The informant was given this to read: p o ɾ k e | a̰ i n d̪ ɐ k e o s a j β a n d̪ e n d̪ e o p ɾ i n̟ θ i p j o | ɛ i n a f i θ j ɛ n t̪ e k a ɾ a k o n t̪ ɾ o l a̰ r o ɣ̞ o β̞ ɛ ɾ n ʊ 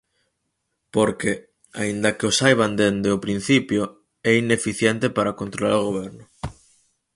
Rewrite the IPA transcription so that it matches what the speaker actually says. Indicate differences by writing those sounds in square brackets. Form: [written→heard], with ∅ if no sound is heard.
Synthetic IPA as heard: p o ɾ k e | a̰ i n d̪ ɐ k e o s a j β a n d̪ e n d̪ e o p ɾ i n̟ θ i p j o | ɛ i n [a→e] f i θ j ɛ n t̪ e [k→p] a ɾ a k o n t̪ ɾ o l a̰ [r→ɾ] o ɣ̞ o β̞ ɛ ɾ n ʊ